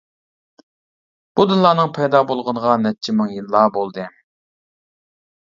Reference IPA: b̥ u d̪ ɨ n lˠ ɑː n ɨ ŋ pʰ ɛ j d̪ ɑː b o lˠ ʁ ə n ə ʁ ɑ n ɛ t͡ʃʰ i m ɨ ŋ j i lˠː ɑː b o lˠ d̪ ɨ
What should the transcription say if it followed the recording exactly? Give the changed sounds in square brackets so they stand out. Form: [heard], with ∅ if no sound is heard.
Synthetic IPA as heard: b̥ u d̪ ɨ n lˠ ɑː n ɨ ŋ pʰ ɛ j d̪ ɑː b o lˠ ʁ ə n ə ʁ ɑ n ɛ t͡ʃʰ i m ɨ ŋ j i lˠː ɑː b o lˠ d̪ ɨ